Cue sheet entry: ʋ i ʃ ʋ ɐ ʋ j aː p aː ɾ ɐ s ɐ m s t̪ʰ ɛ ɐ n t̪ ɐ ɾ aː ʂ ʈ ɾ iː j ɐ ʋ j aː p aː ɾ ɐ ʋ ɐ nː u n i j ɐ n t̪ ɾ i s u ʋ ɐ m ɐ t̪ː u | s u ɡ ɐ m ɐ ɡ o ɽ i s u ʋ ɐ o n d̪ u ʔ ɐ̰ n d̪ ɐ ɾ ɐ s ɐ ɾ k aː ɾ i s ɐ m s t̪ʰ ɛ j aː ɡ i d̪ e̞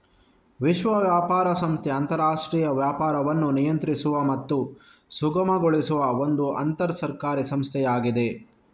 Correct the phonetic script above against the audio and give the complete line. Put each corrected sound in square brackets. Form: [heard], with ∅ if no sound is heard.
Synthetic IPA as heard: ʋ i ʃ ʋ ɐ ʋ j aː p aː ɾ ɐ s ɐ m s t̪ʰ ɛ ɐ n t̪ ɐ ɾ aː ʂ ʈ ɾ iː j ɐ ʋ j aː p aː ɾ ɐ ʋ ɐ nː u n i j ɐ n t̪ ɾ i s u ʋ ɐ m ɐ t̪ː u | s u ɡ ɐ m ɐ ɡ o [ɭ] i s u ʋ ɐ o n d̪ u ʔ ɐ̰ n [t̪] ɐ ɾ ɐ s ɐ ɾ k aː ɾ i s ɐ m s t̪ʰ ɛ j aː ɡ i d̪ e̞

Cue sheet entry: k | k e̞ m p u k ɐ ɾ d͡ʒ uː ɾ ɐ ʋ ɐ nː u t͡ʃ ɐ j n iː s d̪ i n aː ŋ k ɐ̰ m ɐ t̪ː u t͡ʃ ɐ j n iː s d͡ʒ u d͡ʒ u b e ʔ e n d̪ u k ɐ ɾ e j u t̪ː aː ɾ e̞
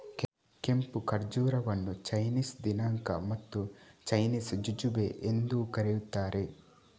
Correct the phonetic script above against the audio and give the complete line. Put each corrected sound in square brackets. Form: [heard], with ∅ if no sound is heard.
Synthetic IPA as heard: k | k e̞ m p u k ɐ ɾ d͡ʒ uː ɾ ɐ ʋ ɐ nː u t͡ʃ ɐ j n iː s d̪ i n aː ŋ k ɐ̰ m ɐ t̪ː u t͡ʃ ɐ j n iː s d͡ʒ u d͡ʒ u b e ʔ e n d̪ u k ɐ ɾ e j u t̪ː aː ɾ e̞

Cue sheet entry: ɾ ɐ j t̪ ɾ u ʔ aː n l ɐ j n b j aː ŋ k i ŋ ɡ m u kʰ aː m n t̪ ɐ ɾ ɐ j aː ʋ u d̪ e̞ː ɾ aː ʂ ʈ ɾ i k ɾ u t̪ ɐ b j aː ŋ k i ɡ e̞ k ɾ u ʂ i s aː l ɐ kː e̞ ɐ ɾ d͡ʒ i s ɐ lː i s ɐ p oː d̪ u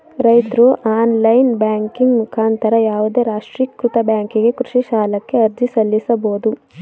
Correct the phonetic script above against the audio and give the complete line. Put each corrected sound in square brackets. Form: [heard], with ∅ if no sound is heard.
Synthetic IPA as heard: ɾ ɐ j t̪ ɾ u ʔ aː n l ɐ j n b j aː ŋ k i ŋ ɡ m u kʰ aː [∅] n t̪ ɐ ɾ ɐ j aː ʋ u d̪ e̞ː ɾ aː ʂ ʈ ɾ i k ɾ u t̪ ɐ b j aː ŋ k i ɡ e̞ k ɾ u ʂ i [ʃ] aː l ɐ kː e̞ ɐ ɾ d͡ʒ i s ɐ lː i s ɐ [b] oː d̪ u

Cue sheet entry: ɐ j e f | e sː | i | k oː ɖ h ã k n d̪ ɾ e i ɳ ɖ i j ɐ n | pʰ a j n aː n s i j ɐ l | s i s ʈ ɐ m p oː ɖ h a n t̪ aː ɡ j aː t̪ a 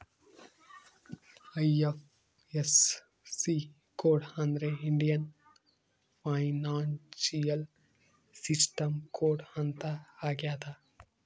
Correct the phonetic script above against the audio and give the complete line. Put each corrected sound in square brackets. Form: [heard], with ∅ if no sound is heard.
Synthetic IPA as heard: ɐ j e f | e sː | i | k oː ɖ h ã [∅] n d̪ ɾ e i ɳ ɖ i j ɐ n | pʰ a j n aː n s i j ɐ l | s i s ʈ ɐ m [k] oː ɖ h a n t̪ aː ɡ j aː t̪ a

